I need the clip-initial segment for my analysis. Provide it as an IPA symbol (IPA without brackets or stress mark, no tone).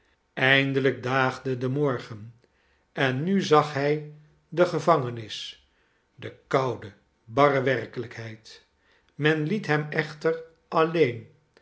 ɛ